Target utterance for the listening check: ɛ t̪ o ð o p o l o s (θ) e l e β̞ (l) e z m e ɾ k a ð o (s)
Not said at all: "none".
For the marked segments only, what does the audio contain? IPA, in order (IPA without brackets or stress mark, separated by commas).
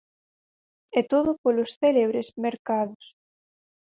θ, ɾ, s